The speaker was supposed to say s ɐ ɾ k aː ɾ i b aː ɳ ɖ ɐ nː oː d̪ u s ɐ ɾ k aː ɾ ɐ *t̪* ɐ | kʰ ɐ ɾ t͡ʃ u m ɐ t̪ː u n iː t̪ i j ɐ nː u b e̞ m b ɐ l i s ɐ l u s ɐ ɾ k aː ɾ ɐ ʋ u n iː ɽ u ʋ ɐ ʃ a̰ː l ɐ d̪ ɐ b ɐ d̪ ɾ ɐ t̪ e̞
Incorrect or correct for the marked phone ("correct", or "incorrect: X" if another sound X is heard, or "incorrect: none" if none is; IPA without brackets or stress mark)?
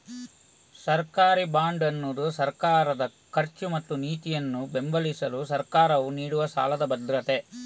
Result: incorrect: d̪